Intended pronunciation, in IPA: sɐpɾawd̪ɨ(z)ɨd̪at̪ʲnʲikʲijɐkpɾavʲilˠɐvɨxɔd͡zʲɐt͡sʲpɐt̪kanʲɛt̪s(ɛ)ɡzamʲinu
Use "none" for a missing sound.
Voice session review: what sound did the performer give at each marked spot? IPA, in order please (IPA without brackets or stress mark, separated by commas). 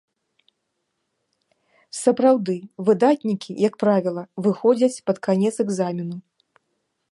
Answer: v, ɛ